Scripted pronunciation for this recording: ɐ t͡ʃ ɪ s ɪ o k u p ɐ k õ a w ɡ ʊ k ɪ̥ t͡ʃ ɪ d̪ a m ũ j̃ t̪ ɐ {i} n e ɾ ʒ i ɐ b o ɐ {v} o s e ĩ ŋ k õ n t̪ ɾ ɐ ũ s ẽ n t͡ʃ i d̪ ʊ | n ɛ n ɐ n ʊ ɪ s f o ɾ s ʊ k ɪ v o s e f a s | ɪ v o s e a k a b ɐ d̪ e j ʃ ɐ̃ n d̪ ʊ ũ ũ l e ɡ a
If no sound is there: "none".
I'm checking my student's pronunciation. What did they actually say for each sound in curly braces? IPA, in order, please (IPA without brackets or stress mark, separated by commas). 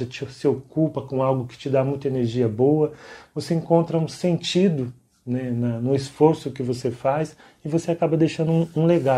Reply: e, v